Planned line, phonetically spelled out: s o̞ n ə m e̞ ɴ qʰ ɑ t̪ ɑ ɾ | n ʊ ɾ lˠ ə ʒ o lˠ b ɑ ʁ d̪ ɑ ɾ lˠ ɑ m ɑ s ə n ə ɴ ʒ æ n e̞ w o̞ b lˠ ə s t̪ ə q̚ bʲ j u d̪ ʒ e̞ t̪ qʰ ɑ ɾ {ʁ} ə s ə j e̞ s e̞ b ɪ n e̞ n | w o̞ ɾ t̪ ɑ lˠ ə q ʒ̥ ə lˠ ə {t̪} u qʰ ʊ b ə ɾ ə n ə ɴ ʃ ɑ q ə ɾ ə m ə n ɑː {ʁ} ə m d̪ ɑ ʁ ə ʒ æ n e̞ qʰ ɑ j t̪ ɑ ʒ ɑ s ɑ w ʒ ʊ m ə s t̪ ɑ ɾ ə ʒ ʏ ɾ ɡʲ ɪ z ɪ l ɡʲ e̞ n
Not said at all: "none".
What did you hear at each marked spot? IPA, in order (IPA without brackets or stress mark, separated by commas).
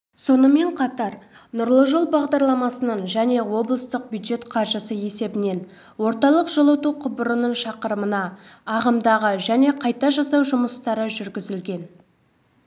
ʒ, t̪, ʁ